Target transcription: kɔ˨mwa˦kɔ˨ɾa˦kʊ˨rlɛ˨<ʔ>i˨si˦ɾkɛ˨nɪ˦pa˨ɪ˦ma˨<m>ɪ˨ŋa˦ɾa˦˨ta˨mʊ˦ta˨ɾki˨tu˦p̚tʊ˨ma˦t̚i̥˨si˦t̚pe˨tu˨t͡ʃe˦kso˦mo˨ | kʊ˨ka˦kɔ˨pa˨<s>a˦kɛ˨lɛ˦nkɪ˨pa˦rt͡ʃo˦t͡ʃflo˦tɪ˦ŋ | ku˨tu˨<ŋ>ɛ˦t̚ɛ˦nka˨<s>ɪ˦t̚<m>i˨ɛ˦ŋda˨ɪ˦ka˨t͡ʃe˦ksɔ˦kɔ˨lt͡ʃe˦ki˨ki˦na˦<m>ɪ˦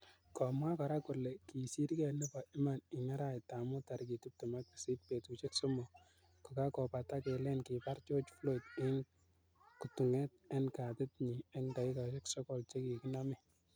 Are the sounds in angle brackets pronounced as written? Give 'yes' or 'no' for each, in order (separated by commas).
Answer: no, no, no, yes, no, no, yes